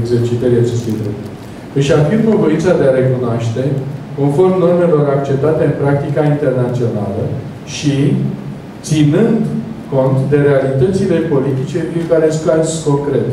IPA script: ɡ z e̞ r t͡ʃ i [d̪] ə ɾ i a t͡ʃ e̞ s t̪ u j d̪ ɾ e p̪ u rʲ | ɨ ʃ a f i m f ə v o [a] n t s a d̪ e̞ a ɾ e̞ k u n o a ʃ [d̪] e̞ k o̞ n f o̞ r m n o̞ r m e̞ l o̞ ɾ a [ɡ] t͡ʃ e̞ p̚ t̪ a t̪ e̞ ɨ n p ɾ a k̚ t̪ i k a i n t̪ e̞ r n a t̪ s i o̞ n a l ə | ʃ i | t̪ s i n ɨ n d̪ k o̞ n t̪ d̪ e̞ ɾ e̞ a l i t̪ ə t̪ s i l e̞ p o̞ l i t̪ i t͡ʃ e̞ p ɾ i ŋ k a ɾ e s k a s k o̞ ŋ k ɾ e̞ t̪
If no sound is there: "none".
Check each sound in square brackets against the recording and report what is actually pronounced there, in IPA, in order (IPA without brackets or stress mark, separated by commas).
t̪, i, t̪, k